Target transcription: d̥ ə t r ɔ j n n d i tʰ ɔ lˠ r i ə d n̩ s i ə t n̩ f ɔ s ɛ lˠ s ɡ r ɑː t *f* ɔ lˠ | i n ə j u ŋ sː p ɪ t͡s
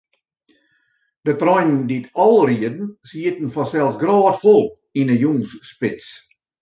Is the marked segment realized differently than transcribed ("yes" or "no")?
no